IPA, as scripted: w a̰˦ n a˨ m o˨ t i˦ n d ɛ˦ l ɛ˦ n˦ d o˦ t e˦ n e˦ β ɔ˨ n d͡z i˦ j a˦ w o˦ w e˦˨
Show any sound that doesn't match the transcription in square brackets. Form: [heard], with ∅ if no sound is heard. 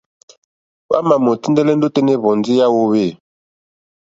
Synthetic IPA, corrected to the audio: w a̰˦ [m] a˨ m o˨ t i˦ n d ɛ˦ l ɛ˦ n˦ d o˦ t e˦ n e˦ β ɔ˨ n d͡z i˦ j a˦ w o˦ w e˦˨